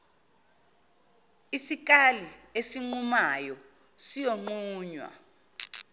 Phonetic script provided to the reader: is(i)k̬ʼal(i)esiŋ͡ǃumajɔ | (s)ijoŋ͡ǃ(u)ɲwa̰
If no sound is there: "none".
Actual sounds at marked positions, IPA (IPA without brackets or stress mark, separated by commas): i, i, s, uː